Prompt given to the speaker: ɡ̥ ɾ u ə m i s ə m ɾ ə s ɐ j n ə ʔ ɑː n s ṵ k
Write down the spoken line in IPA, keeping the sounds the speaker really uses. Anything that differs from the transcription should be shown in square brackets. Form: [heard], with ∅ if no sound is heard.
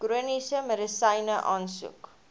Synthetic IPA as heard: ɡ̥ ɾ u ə [n] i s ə m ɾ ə s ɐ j n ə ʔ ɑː n s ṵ k